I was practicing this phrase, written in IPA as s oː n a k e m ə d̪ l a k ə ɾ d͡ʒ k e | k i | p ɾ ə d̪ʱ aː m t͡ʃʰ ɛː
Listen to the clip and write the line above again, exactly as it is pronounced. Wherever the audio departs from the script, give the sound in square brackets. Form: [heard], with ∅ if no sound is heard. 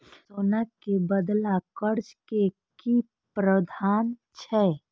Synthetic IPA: s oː n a k e [b] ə d̪ l a k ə ɾ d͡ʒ k e | k i | p ɾ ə d̪ʱ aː [n] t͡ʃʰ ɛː